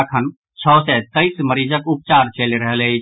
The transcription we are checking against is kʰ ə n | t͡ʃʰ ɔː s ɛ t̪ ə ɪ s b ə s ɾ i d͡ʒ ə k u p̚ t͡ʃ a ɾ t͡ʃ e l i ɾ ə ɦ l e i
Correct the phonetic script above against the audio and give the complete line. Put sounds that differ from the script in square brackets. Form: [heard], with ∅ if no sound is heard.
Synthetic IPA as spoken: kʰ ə n | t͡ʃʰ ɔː s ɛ t̪ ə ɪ s [m] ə [∅] ɾ i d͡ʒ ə k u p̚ t͡ʃ a ɾ t͡ʃ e l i ɾ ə ɦ l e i